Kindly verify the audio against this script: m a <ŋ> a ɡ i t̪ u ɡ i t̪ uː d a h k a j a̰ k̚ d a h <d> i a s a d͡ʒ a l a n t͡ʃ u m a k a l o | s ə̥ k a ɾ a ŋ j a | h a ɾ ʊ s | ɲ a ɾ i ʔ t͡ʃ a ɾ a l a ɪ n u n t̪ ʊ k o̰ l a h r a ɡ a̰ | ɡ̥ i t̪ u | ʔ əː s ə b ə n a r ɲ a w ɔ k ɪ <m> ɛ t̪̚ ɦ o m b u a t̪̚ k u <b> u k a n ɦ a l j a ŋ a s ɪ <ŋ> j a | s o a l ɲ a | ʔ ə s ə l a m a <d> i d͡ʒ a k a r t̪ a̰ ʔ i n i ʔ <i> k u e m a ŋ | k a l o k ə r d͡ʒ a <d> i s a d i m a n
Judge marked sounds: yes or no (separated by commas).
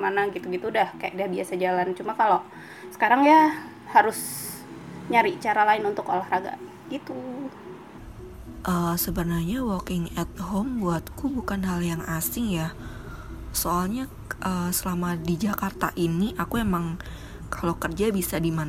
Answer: no, no, no, yes, yes, yes, no, no